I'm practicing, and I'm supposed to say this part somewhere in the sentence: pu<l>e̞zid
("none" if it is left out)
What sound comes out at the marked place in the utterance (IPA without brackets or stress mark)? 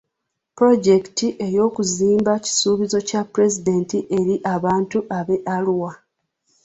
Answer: ɾ